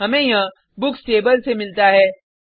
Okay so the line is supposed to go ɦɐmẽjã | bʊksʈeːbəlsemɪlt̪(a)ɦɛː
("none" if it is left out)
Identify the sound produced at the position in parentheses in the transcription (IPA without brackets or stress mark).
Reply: a